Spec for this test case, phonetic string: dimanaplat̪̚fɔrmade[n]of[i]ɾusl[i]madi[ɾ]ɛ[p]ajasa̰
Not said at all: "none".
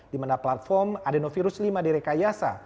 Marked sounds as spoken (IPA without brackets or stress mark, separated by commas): n, i, i, ɾ, k